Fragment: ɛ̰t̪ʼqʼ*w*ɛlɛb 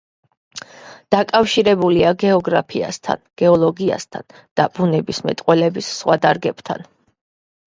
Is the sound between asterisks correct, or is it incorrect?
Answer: correct